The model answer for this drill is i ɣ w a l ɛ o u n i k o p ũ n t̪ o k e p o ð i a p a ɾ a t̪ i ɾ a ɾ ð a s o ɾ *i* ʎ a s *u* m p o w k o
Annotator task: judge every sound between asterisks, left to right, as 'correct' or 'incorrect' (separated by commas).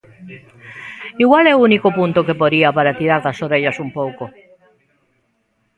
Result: incorrect, correct